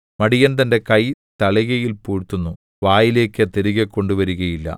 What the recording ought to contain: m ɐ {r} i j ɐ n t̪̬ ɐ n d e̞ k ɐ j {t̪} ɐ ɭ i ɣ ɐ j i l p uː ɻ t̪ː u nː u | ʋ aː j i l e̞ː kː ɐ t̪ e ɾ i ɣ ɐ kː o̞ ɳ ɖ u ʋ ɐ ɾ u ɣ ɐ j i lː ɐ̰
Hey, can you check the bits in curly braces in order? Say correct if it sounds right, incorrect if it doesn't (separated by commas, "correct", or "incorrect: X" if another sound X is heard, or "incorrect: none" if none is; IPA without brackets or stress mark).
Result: incorrect: ɽ, correct